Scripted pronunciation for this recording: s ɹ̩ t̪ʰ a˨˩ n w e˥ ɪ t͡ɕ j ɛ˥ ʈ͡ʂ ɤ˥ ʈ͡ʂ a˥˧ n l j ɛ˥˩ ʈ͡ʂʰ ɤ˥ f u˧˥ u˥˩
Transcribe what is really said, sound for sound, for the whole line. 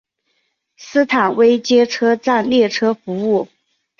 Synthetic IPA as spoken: s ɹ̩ t̪ʰ a˨˩ n w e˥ ɪ t͡ɕ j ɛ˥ ʈ͡ʂʰ ɤ˥ ʈ͡ʂ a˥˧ n l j ɛ˥˩ ʈ͡ʂʰ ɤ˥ f u˧˥ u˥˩